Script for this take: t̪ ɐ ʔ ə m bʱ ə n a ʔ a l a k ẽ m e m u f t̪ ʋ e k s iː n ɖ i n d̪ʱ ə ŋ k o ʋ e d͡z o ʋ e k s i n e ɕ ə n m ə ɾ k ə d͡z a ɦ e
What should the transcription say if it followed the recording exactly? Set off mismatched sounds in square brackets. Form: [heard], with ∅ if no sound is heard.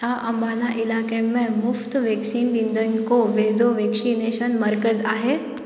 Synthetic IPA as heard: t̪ [a] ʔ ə m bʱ [a] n a ʔ [i] l a k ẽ m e m u f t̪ ʋ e k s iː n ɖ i n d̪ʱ ə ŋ k o ʋ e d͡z o ʋ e k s i n e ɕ ə n m ə ɾ k ə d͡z a ɦ e